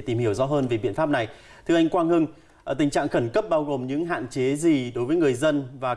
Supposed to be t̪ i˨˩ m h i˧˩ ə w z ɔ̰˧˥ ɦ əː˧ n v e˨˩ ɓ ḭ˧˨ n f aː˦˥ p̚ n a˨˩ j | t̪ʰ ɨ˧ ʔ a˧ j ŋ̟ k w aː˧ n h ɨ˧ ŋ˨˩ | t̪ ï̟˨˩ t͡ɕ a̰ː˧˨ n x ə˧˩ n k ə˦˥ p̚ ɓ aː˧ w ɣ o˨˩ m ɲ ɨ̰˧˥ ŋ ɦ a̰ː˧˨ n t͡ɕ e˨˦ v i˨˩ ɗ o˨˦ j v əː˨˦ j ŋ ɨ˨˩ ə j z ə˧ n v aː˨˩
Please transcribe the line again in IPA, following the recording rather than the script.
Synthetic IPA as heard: t̪ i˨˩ m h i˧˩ ə w z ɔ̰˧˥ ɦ əː˧ n v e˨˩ ɓ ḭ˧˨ n f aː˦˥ p̚ n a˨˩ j | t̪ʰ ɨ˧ ʔ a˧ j ŋ̟ k w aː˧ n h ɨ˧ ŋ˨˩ | t̪ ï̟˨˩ t͡ɕ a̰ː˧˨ ŋ x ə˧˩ n k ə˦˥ p̚ ɓ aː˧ w ɣ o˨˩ m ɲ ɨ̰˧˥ ŋ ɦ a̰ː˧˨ n t͡ɕ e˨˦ z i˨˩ ɗ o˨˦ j v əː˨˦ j ŋ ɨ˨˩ ə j z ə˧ n v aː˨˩